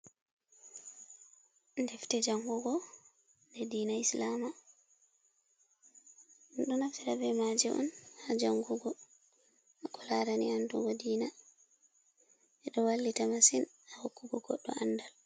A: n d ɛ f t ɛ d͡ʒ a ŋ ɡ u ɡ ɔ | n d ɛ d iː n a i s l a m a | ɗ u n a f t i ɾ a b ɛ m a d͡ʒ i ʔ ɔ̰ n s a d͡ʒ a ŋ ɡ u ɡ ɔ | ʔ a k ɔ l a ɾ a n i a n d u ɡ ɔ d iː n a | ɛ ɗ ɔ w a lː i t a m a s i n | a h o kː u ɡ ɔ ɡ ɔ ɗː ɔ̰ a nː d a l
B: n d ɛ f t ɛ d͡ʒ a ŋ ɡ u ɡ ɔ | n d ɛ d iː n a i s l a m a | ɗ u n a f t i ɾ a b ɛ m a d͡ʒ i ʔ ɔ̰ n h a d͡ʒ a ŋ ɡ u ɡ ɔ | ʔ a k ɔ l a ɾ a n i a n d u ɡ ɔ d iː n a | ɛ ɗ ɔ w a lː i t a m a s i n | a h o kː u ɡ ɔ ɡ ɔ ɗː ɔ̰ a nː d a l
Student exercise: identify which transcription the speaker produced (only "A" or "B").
B